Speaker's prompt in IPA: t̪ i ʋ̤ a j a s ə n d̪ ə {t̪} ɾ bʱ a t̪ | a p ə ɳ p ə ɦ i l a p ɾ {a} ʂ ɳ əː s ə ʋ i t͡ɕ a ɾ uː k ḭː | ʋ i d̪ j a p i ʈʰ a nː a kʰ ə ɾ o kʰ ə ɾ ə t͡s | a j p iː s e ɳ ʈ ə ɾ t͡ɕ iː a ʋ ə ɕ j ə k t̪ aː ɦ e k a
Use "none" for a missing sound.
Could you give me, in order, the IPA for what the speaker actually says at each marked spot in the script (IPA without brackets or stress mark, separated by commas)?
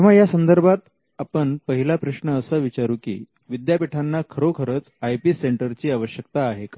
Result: none, ə